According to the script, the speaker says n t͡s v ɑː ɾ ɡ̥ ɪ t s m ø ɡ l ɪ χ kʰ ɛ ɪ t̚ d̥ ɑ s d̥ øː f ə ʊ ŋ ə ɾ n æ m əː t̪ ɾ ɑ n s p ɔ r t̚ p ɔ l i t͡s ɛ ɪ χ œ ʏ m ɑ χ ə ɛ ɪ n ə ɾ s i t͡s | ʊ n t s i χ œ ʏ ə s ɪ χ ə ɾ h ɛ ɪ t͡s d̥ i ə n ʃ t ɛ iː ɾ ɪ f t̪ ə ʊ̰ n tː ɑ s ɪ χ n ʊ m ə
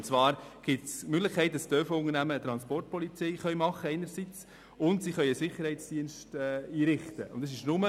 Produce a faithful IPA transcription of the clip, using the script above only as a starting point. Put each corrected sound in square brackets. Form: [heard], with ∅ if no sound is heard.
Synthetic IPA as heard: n t͡s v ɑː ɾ ɡ̥ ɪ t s m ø ɡ l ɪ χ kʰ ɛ ɪ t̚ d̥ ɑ s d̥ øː f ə ʊ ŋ ə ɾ n æ m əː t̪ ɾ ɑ n s p ɔ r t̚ p ɔ l i t͡s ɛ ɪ χ œ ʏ m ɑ χ ə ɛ ɪ n ə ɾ s i t͡s | ʊ n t s i χ œ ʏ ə s ɪ χ ə ɾ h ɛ ɪ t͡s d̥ i ə n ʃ t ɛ iː ɾ ɪ [χ] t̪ ə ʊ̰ n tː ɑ s ɪ [ʃ] n ʊ m ə